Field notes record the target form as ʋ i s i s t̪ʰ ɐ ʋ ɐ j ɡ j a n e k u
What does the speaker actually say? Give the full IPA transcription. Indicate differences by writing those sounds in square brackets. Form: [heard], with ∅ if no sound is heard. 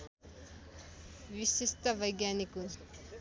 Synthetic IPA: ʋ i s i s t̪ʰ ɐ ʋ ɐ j ɡ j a n [i] k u